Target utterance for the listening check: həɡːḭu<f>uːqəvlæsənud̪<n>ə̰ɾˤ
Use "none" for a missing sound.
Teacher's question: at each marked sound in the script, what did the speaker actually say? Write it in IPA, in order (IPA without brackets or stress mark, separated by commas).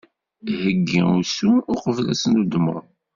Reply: s, m